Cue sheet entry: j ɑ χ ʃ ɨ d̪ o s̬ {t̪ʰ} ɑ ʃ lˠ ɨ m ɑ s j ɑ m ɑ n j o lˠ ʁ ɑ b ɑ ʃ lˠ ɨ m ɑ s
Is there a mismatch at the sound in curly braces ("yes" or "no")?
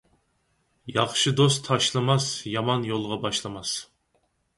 no